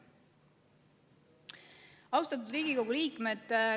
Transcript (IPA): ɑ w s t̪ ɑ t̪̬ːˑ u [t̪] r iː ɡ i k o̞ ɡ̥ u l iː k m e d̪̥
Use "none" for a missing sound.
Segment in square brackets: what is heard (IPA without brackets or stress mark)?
d̪